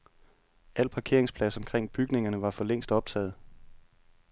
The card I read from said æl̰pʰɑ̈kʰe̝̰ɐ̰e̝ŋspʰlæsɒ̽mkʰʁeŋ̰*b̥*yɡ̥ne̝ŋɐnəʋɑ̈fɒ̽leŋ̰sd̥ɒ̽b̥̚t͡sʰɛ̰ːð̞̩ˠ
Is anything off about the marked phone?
no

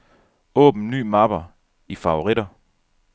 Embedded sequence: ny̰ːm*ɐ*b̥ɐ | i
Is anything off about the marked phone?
yes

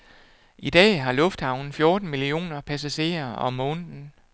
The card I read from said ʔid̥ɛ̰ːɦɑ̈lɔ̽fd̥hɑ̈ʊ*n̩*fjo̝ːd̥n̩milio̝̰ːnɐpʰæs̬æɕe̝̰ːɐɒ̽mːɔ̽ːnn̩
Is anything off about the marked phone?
no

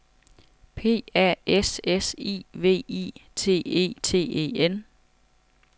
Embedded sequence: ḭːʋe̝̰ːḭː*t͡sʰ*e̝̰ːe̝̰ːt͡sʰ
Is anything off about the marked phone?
no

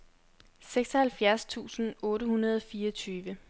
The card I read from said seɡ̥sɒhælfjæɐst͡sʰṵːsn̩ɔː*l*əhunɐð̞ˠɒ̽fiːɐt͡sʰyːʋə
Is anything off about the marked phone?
yes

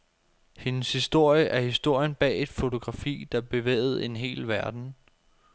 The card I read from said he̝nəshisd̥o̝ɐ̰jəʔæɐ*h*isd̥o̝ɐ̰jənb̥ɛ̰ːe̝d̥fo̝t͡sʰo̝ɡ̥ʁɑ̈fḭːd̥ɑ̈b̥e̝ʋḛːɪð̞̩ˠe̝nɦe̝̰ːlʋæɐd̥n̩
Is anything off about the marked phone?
no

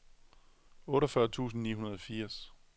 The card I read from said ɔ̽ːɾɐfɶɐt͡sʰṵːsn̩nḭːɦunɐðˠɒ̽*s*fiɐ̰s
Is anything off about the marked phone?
yes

